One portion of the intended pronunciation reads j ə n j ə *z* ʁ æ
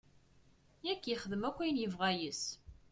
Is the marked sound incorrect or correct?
incorrect: v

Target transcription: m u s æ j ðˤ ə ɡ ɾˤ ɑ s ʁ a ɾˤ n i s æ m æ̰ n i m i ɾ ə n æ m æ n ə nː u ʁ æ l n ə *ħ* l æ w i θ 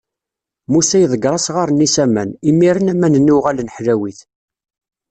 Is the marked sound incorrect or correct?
correct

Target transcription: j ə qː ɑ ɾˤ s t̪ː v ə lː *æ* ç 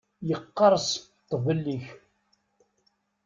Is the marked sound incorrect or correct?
incorrect: i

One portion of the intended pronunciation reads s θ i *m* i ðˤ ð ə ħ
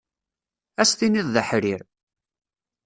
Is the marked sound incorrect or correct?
incorrect: n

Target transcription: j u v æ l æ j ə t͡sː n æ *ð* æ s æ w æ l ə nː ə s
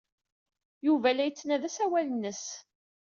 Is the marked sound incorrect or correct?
correct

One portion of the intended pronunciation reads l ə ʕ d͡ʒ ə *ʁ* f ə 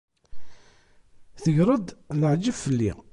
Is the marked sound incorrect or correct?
incorrect: v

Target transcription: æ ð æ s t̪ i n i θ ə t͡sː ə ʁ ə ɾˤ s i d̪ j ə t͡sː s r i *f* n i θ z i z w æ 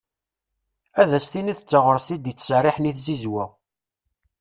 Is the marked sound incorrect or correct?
incorrect: ħ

